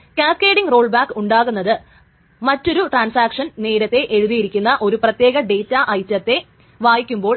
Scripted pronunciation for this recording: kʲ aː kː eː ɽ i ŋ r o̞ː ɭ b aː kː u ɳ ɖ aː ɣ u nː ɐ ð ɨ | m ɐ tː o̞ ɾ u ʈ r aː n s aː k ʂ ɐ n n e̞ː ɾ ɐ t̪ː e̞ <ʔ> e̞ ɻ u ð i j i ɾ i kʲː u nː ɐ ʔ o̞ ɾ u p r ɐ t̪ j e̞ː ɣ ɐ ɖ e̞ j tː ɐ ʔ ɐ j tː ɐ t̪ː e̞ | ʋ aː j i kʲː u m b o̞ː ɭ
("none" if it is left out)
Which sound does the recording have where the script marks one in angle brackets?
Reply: ʔ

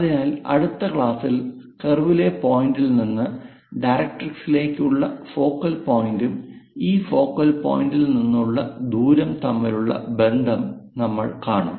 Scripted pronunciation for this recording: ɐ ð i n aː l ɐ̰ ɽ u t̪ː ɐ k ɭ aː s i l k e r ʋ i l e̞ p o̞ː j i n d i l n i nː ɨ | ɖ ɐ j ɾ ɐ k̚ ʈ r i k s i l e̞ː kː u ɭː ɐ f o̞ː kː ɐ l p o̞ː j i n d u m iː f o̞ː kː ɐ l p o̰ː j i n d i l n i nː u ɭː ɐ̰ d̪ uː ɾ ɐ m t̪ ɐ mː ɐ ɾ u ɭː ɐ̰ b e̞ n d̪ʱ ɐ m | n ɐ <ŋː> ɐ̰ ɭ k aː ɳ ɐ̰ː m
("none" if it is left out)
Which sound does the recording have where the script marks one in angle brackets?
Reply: mː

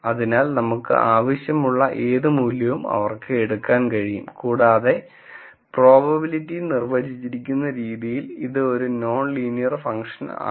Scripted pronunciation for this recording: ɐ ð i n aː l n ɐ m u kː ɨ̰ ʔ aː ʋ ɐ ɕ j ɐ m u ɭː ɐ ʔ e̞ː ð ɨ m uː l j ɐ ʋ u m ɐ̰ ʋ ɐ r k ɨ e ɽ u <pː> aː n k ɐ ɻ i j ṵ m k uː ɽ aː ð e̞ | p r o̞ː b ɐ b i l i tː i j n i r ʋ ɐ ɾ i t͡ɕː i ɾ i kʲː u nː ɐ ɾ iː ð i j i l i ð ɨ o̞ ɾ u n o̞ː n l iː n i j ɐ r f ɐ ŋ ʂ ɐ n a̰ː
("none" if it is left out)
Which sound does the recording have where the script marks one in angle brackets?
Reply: kː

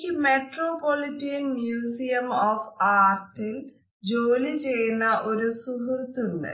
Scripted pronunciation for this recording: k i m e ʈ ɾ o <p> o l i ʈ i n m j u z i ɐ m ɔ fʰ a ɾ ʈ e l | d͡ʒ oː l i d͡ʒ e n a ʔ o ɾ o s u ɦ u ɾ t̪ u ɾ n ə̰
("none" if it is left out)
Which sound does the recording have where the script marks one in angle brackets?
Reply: p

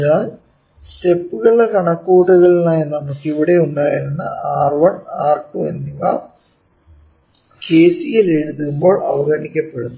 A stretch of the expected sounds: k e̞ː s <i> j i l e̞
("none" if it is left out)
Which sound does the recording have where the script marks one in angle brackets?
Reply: i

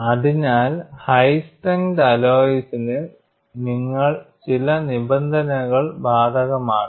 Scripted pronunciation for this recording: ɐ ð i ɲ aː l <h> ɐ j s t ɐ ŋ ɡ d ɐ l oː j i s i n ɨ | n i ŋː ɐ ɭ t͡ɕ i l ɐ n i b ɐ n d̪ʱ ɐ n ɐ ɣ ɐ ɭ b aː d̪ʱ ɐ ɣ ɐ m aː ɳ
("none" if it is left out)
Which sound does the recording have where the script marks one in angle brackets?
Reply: h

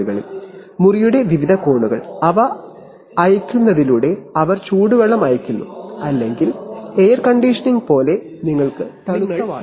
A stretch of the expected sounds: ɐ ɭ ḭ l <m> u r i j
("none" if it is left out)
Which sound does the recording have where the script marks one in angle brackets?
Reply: m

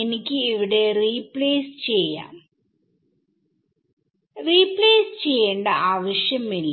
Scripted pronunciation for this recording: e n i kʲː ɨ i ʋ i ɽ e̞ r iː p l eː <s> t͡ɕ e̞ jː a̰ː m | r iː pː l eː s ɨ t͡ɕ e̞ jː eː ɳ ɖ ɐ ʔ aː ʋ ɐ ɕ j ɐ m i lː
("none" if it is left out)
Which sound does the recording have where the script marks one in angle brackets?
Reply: s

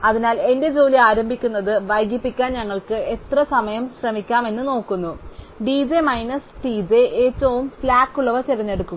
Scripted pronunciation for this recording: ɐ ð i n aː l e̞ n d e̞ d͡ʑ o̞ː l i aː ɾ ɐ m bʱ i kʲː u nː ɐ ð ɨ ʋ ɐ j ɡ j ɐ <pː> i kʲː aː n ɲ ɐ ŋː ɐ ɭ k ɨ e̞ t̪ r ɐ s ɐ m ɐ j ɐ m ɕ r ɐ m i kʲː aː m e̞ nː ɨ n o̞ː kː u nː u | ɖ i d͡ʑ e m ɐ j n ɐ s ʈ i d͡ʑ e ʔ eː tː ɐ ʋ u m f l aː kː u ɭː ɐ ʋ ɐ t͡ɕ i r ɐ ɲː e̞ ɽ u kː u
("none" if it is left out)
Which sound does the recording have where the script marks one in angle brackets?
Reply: pː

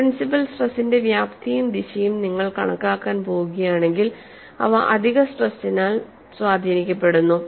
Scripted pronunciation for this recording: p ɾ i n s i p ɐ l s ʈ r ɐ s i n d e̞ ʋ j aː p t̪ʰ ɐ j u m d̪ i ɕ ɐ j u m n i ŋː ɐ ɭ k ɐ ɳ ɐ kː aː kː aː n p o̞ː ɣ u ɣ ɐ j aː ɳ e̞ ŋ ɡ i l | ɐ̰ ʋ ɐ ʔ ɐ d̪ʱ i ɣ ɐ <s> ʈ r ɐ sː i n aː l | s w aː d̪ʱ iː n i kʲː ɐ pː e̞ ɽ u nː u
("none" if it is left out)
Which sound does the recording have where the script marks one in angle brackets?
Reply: s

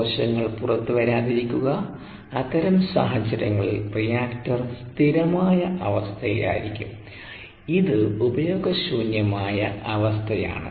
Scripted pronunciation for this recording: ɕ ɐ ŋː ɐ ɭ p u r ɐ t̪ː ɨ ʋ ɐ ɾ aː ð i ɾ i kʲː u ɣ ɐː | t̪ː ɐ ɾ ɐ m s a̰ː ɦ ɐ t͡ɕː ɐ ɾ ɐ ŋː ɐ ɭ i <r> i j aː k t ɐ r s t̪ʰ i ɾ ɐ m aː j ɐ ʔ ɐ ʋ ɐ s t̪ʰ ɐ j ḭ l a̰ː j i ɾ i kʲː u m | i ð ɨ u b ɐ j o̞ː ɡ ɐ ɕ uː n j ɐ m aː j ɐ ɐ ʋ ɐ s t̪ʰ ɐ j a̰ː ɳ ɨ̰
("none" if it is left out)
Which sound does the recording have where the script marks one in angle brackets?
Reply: r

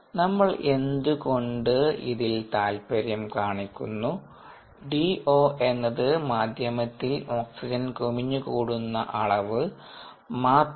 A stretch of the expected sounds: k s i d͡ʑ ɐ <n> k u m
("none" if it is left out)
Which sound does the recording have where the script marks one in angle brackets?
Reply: n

